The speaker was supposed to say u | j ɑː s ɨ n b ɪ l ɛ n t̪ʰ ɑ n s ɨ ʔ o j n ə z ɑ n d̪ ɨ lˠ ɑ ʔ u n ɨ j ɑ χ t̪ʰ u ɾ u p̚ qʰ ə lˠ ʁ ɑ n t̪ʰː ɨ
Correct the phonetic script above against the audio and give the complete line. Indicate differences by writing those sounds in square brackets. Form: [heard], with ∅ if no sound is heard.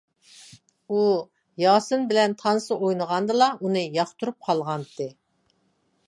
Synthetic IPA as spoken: u | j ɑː s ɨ n b ɪ l ɛ n t̪ʰ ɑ n s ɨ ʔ o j n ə [ʁ] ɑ n d̪ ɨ lˠ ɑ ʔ u n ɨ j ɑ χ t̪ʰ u ɾ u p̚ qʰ [ɑ] lˠ ʁ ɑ n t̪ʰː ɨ